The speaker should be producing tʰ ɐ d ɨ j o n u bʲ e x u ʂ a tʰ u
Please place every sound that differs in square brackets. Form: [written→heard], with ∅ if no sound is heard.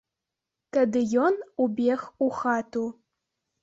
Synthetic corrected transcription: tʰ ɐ d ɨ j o n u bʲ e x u [ʂ→x] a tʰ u